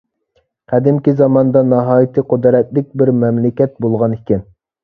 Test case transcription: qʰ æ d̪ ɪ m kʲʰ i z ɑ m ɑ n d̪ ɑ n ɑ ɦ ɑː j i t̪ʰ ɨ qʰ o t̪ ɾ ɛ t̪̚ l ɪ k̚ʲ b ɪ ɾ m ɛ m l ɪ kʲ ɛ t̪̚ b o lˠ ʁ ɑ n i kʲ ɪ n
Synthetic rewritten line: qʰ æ d̪ ɪ m kʲ i z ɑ m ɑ n d̪ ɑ n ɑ ɦ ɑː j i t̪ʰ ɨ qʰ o d̪ ɾ ɛ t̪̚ l ɪ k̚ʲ b ɪ ɾ m ɛ m l ɪ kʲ ɛ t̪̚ b o lˠ ʁ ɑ n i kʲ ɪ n